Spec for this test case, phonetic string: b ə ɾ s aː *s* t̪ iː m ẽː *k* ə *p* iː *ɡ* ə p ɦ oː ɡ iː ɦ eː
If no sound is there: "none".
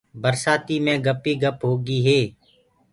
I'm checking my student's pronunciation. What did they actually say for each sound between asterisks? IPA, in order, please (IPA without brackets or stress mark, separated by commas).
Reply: none, ɡ, p, ɡ